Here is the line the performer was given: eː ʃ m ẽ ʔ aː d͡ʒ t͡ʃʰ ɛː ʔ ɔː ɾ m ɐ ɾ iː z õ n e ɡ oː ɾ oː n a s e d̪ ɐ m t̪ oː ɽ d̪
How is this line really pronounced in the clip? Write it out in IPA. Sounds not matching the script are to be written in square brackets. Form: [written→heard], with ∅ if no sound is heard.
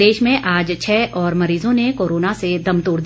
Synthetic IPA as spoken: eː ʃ m ẽ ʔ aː d͡ʒ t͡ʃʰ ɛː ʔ ɔː ɾ m ɐ ɾ iː z õ n e [ɡ→k] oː ɾ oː n a s e d̪ ɐ m t̪ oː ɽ d̪

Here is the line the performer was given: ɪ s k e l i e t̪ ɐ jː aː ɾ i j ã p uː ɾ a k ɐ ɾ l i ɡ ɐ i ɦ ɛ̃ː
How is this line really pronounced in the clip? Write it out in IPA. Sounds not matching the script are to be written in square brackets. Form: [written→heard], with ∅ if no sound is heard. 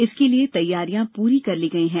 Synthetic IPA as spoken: ɪ s k e l i e t̪ ɐ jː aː ɾ i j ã p uː ɾ [a→i] k ɐ ɾ l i ɡ ɐ i ɦ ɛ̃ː

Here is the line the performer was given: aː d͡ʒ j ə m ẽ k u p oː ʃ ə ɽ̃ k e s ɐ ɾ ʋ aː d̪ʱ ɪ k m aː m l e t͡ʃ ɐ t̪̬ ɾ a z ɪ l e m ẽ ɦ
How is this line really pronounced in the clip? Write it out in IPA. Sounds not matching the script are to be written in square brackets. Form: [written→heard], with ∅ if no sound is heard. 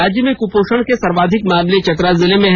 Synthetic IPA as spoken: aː d͡ʒ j ə m ẽ k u p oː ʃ ə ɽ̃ k e s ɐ ɾ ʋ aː d̪ʱ ɪ k m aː m l e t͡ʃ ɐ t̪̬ ɾ a z ɪ l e m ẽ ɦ

